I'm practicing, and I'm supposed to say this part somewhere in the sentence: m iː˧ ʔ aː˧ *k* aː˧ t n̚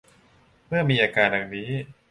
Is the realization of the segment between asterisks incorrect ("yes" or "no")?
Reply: no